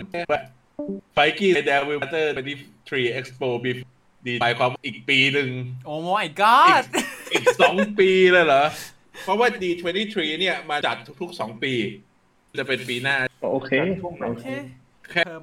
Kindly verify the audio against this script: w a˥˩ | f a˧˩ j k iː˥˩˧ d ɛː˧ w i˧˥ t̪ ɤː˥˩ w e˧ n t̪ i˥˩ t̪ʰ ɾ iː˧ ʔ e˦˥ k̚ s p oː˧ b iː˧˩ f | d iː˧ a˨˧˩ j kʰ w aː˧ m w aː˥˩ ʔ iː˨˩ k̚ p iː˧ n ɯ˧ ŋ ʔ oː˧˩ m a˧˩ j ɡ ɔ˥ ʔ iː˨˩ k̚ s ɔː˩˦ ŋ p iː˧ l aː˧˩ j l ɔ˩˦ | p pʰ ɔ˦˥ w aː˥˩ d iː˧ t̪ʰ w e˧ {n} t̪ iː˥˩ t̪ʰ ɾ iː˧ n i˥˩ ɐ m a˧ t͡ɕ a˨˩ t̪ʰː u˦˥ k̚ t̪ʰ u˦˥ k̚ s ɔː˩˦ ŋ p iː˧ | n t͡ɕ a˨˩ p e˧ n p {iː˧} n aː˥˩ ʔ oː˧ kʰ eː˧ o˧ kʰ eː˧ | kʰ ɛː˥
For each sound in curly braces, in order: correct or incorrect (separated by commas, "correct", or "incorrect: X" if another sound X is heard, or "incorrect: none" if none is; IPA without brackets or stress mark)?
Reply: correct, correct